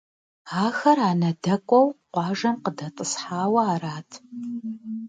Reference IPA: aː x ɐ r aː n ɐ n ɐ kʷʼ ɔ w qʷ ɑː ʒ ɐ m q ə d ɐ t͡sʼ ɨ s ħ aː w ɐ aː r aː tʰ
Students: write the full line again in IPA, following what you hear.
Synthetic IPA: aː x ɐ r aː n ɐ d ɐ kʷʼ ɔ w qʷ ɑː ʒ ɐ m q ə d ɐ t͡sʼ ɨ s ħ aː w ɐ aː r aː tʰ